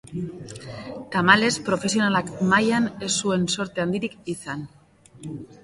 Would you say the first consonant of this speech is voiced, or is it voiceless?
voiceless